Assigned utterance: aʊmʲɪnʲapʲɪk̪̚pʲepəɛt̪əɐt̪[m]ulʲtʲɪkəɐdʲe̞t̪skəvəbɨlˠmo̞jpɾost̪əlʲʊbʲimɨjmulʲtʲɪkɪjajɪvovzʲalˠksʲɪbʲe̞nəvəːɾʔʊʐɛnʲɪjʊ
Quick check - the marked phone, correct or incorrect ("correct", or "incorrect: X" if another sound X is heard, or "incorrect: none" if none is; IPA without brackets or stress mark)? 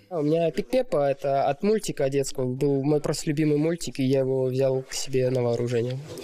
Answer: correct